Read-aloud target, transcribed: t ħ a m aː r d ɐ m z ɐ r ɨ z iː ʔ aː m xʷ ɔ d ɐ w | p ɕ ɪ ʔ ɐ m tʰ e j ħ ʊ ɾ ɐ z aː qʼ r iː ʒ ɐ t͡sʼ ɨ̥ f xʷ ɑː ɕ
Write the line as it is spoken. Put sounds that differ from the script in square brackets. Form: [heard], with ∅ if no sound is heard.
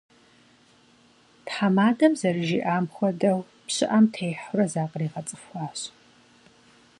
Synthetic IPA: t ħ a m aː [∅] d ɐ m z ɐ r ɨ [ʒ] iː ʔ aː m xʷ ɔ d ɐ w | p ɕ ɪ ʔ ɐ m tʰ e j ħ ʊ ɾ ɐ z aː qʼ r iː [ʁ] ɐ t͡sʼ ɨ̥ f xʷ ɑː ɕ